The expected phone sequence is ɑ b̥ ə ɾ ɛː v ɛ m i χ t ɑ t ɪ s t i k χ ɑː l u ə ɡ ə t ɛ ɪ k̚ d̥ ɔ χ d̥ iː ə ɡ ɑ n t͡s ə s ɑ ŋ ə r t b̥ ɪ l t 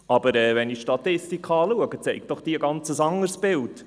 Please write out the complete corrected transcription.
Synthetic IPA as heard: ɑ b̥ ə ɾ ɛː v ɛ n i ʃ t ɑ t ɪ s t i k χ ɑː l u ə ɡ ə t͡s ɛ ɪ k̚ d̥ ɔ χ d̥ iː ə ɡ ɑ n t͡s ə s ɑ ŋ ə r s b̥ ɪ l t